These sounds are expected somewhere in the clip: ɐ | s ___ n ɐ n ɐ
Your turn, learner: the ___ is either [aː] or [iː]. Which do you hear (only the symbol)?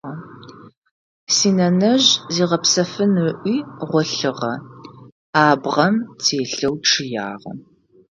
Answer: iː